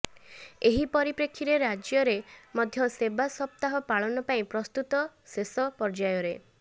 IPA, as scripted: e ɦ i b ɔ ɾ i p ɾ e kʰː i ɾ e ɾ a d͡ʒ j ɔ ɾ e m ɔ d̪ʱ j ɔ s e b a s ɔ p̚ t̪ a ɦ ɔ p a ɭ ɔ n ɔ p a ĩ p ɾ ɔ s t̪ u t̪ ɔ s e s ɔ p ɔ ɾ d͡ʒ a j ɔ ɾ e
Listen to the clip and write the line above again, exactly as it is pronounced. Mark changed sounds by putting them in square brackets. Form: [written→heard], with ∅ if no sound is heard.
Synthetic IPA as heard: e ɦ i [b→p] ɔ ɾ i p ɾ e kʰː i ɾ e ɾ a d͡ʒ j ɔ ɾ e m ɔ d̪ʱ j ɔ s e b a s ɔ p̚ t̪ a ɦ ɔ p a ɭ ɔ n ɔ p a ĩ p ɾ ɔ s t̪ u t̪ ɔ s e s ɔ p ɔ ɾ d͡ʒ a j ɔ ɾ e